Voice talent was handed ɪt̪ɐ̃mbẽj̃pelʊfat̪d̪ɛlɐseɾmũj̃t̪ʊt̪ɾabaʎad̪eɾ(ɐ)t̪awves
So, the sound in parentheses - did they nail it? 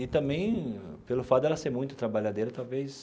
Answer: yes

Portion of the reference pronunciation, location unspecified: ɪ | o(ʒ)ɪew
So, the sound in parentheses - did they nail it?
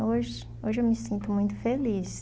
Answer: yes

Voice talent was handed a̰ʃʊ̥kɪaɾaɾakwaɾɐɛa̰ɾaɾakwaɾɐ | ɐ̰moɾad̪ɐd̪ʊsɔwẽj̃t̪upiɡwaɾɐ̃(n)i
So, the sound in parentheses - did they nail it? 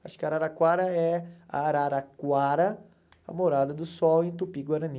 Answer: yes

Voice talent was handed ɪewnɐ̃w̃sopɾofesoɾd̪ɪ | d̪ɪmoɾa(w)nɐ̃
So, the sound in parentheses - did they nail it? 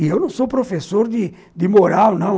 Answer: yes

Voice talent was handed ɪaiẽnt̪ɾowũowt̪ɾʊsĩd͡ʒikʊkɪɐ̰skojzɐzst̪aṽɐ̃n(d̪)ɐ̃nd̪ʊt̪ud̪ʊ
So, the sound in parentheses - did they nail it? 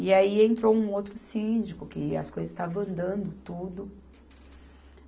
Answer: yes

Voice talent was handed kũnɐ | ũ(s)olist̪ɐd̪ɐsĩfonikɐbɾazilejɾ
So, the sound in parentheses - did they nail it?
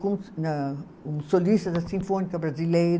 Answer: yes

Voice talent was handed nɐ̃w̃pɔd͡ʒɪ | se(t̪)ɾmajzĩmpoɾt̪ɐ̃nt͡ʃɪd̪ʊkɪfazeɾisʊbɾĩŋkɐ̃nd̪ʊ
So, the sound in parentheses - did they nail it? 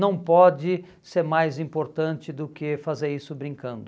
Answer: no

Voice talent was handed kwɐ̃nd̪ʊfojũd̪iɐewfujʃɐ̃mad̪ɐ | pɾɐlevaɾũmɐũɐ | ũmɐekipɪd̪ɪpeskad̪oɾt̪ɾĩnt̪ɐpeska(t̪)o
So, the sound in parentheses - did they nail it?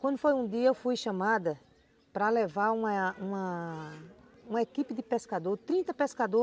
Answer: no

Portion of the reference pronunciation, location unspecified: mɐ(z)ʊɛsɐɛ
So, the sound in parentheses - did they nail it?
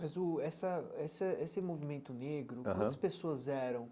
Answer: yes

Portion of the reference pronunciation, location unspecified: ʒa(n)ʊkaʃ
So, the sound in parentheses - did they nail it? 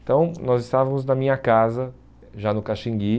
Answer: yes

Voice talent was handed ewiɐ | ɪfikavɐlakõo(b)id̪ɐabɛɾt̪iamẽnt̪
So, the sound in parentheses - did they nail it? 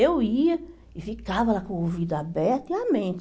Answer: no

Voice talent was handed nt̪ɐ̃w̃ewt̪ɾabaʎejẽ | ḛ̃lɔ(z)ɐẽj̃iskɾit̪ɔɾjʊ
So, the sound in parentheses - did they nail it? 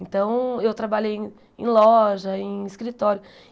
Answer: no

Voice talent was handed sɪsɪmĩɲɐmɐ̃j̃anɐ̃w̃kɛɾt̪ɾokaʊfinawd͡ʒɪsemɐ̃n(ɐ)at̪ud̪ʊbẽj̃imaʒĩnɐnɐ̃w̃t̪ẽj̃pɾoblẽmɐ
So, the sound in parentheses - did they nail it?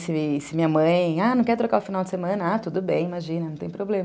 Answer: yes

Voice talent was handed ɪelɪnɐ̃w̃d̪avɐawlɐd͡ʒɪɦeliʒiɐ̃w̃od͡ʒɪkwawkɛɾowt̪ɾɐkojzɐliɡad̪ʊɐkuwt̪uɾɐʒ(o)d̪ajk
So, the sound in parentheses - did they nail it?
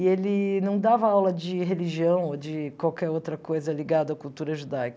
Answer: no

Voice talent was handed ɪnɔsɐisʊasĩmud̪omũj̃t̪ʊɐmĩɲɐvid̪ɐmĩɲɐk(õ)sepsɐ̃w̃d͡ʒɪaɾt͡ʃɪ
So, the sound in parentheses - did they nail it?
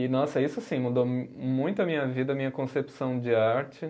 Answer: yes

